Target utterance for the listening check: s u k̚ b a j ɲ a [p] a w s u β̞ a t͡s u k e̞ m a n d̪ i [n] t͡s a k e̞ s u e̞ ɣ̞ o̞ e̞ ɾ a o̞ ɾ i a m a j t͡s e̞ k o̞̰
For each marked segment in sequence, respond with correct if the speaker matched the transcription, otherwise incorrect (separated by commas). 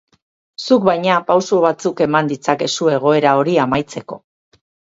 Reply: correct, incorrect